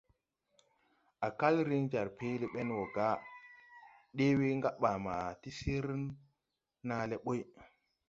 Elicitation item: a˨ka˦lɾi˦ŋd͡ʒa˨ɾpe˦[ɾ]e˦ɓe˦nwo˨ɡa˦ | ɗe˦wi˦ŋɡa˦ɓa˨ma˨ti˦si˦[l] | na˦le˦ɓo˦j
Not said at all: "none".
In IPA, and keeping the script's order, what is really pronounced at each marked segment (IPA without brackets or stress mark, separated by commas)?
l, ɾ